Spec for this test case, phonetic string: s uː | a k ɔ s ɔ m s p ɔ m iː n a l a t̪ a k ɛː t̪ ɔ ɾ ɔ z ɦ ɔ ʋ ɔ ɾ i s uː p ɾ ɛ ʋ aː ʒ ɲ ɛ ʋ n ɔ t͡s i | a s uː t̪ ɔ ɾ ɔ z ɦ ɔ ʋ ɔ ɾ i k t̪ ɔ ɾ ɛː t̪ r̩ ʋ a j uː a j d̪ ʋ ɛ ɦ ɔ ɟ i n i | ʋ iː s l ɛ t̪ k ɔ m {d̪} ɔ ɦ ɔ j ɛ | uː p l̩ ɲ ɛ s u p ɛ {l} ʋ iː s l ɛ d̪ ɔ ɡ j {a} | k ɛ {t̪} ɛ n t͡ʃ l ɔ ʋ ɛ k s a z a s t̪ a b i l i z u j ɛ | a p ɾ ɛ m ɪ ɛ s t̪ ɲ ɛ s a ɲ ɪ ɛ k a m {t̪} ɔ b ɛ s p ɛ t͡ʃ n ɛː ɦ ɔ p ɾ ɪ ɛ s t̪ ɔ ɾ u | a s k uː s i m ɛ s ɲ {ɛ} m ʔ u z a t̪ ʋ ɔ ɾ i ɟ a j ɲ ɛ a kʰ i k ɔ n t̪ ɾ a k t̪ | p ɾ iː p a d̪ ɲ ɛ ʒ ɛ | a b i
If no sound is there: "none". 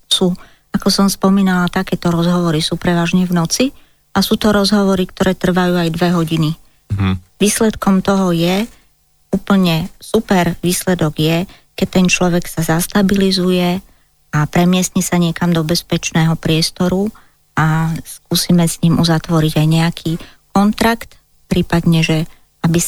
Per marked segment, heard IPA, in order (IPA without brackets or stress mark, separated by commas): t̪, ɾ, ɛ, t̪, d̪, i